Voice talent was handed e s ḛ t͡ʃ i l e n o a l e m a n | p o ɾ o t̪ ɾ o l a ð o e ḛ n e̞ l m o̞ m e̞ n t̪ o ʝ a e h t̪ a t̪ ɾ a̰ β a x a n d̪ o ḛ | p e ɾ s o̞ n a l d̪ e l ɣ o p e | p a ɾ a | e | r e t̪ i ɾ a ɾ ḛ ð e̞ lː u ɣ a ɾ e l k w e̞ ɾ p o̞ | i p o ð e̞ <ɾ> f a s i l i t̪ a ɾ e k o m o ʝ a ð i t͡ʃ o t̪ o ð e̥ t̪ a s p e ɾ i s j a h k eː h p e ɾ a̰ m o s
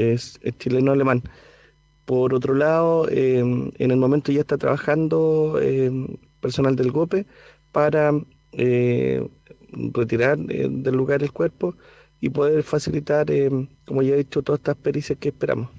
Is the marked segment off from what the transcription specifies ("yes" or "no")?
no